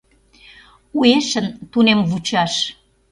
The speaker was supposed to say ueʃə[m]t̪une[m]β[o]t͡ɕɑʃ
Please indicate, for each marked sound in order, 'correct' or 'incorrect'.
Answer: incorrect: n, correct, incorrect: u

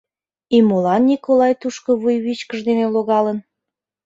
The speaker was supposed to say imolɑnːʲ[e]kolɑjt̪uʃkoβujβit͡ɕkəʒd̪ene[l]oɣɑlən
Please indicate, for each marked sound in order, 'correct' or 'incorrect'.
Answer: incorrect: i, correct

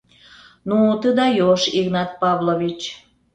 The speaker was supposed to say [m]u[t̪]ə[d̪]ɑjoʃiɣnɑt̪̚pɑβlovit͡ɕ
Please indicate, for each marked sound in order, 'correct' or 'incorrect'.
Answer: incorrect: n, correct, correct

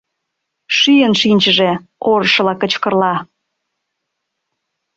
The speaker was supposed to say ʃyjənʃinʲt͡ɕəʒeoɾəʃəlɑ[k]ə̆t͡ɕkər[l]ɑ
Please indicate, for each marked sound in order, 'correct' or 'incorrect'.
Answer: correct, correct

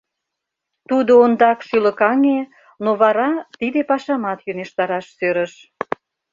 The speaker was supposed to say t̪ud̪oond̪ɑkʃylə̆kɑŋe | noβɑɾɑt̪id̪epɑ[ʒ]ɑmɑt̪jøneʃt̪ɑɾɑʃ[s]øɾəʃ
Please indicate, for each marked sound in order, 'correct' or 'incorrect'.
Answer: incorrect: ʃ, correct

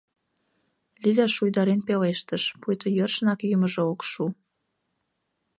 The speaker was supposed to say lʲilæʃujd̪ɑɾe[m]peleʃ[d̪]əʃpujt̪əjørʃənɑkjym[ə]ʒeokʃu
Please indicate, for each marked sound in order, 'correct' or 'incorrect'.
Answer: incorrect: n, incorrect: t̪, correct

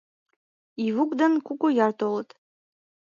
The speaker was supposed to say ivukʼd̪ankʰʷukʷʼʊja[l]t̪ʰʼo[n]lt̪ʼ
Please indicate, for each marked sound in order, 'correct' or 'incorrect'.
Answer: incorrect: r, incorrect: none

